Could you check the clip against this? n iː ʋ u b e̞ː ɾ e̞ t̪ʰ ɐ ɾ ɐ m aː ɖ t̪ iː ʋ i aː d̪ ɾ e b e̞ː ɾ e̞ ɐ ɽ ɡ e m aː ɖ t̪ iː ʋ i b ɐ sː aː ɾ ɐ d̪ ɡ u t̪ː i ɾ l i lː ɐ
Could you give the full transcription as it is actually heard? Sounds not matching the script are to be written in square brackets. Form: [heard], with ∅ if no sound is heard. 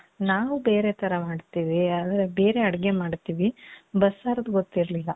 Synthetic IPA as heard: n [aː] ʋ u b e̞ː ɾ e̞ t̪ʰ ɐ ɾ ɐ m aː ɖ t̪ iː ʋ i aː d̪ ɾ e b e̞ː ɾ e̞ ɐ ɽ ɡ e m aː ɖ t̪ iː ʋ i b ɐ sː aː ɾ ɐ d̪ ɡ [o] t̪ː i ɾ l i lː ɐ